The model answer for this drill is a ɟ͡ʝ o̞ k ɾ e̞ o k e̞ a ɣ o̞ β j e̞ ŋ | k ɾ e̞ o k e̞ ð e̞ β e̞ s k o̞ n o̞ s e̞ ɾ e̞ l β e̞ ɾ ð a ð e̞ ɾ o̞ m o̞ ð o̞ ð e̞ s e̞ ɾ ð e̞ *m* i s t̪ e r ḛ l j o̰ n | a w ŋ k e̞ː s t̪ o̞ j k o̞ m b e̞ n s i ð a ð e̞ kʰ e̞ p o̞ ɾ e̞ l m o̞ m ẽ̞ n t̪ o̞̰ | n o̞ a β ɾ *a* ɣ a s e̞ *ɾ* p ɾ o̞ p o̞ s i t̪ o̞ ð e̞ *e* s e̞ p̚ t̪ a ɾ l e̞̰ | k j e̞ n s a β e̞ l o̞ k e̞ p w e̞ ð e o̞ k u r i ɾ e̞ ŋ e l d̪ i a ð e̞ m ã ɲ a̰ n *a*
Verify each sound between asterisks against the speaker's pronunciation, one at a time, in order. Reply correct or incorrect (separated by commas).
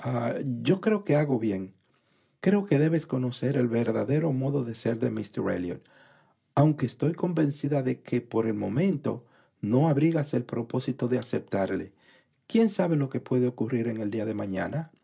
correct, incorrect, incorrect, incorrect, correct